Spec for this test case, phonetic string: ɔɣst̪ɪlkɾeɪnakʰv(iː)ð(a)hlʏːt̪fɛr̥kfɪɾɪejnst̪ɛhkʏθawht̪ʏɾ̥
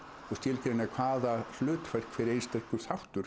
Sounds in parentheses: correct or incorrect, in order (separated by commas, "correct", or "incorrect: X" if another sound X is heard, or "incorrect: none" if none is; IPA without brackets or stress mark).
incorrect: aː, correct